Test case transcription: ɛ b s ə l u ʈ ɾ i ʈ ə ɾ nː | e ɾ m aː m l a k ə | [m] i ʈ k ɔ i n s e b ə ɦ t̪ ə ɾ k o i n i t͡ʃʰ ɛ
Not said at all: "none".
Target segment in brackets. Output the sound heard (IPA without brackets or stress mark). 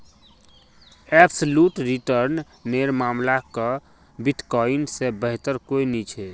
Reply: b